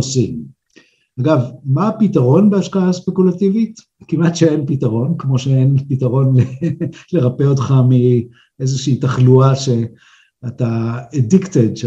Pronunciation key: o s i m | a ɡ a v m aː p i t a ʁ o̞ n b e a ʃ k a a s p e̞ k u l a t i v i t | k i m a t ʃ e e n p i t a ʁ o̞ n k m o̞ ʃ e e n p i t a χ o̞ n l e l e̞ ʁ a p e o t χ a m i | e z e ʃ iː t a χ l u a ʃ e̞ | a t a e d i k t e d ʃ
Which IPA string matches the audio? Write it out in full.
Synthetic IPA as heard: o s i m | a ɡ a v m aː p i t a ʁ o̞ n b e a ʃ k a a s p e̞ k u l a t i v i t | k i m a t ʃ e e n p i t a ʁ o̞ n k m o̞ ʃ e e n p i t a ʁ o̞ n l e l e̞ ʁ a p e o t χ a m i | e z e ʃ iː t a χ l u a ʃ e̞ | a t a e d i k t e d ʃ